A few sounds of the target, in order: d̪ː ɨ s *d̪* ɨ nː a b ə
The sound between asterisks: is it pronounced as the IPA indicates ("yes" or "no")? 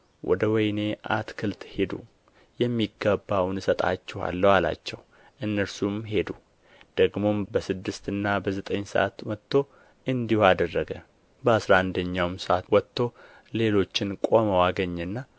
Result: no